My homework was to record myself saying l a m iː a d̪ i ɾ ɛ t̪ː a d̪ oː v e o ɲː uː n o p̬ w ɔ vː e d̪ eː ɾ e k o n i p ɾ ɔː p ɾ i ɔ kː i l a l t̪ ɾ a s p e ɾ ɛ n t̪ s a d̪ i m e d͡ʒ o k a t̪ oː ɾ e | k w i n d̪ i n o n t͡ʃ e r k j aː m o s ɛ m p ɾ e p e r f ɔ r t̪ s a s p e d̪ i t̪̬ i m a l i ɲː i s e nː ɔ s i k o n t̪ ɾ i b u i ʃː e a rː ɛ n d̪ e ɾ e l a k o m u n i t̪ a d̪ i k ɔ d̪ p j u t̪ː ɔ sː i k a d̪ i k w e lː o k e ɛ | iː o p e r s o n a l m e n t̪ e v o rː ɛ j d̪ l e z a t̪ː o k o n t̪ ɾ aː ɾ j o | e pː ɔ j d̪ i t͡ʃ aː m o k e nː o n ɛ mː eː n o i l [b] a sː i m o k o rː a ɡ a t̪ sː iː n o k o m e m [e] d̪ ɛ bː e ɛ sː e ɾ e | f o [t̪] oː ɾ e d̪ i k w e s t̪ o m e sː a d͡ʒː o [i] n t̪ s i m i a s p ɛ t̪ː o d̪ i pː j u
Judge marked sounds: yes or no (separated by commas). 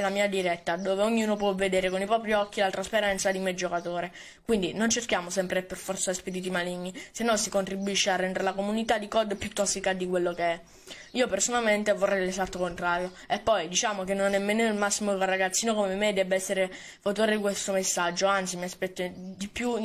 no, yes, yes, no